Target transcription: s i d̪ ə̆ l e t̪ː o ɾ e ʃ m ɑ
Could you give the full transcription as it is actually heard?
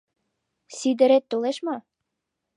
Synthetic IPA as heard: s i d̪ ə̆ ɾ e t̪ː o l e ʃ m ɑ